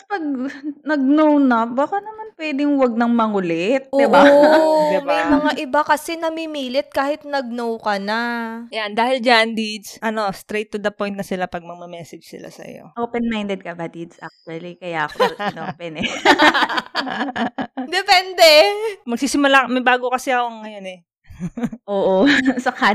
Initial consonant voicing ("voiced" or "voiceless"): voiceless